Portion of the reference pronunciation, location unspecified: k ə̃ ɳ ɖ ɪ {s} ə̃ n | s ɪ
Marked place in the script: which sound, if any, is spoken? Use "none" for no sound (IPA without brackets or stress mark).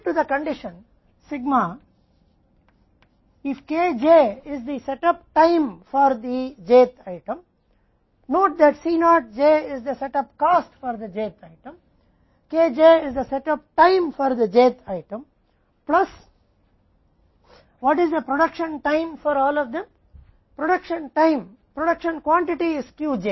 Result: ʃ